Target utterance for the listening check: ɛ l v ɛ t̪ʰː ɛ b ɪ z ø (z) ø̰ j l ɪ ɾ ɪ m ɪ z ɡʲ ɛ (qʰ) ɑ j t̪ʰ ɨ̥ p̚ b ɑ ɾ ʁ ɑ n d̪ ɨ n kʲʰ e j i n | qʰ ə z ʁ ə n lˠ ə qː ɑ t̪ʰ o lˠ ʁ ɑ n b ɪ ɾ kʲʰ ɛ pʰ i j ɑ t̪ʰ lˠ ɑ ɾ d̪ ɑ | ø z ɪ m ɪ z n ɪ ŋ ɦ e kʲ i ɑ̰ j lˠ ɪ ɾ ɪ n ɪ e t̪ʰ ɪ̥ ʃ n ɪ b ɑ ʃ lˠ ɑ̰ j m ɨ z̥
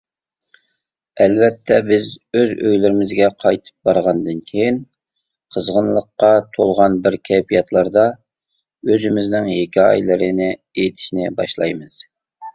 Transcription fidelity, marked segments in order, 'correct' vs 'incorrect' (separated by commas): correct, correct